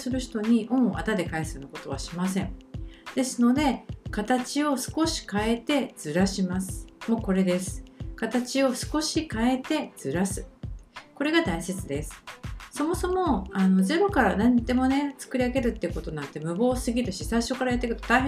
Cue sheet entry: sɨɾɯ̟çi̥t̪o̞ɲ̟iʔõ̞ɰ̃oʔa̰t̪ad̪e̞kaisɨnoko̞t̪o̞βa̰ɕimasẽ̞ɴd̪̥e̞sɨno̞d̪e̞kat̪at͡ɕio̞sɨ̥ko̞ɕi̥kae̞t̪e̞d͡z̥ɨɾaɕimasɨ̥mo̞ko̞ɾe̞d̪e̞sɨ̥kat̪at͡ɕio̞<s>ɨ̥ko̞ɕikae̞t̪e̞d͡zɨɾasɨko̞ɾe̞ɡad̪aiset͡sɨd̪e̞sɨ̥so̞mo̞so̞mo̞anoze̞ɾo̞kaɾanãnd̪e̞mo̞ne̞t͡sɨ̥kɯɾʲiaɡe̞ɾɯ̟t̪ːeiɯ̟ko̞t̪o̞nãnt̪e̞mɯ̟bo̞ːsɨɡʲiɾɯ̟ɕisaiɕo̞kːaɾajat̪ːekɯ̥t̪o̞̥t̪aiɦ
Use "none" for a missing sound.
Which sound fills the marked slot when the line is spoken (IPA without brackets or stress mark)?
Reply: s